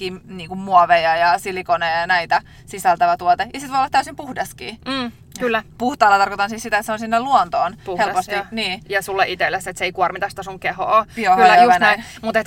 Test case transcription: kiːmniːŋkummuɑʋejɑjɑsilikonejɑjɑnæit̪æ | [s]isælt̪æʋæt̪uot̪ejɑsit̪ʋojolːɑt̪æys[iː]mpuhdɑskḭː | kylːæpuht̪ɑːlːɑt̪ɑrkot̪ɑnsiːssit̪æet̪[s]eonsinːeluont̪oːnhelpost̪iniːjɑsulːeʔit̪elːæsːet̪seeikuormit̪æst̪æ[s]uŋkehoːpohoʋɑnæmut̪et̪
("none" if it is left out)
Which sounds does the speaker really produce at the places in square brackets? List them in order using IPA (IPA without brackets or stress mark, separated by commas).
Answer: s, i, s, s